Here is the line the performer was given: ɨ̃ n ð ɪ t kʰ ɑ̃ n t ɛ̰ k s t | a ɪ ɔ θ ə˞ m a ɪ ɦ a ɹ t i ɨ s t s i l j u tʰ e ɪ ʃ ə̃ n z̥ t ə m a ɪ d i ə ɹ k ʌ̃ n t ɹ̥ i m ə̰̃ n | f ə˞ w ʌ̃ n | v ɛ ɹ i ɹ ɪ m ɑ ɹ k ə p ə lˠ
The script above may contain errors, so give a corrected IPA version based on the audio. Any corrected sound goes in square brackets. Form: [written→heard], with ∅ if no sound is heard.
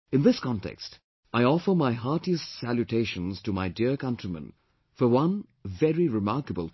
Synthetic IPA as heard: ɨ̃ n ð ɪ [t→s] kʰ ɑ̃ n t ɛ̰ k s t | a ɪ ɔ [θ→f] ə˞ m a ɪ ɦ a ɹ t i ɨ s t s [i→æ] l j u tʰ e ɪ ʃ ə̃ n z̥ t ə m a ɪ d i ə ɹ k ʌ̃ n t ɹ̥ i m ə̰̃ n | f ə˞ w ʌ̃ n | v ɛ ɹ i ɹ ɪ m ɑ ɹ k ə [p→b] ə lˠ

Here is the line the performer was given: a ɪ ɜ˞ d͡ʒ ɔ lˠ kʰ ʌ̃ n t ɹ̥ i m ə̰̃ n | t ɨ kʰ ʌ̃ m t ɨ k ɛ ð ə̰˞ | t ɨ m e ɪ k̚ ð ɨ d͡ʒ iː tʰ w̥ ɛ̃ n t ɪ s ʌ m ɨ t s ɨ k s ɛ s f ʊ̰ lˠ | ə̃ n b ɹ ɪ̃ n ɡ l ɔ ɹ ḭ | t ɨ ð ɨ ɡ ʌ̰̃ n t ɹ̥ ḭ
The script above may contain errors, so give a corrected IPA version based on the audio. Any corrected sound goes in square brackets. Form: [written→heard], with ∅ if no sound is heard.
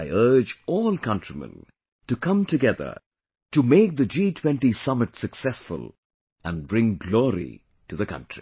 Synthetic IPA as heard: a ɪ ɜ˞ d͡ʒ ɔ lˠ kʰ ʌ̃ n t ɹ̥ i m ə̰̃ n | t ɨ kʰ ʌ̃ m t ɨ [k→ɡ] ɛ ð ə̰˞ | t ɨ m e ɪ k̚ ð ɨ d͡ʒ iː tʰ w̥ ɛ̃ n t [ɪ→i] s ʌ m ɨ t s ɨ k s ɛ s f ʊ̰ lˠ | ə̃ n b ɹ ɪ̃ [n→ŋ] ɡ l ɔ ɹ ḭ | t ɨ ð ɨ [ɡ→k] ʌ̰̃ n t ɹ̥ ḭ

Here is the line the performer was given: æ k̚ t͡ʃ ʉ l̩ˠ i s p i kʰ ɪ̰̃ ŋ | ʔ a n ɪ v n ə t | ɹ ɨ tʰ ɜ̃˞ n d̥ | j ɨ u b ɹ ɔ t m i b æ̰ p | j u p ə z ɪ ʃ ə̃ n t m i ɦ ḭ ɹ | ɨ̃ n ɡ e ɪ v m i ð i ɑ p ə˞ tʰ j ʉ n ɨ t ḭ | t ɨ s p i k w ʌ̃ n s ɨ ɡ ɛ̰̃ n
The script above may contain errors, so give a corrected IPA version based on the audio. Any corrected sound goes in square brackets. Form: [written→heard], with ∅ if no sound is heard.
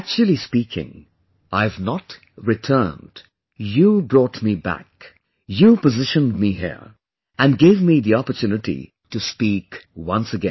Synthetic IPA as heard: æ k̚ t͡ʃ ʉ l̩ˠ i s p i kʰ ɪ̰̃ ŋ | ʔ a [n→∅] ɪ v n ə t | ɹ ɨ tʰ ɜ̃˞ n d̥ | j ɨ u b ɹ ɔ t m i b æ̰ [p→k] | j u p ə z ɪ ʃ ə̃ n [t→d] m i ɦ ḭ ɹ | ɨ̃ n ɡ e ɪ v m i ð i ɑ p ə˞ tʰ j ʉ n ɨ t ḭ | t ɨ s p i k w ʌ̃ n s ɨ ɡ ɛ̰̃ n

